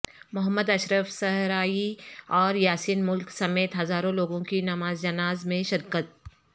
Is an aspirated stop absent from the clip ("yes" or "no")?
yes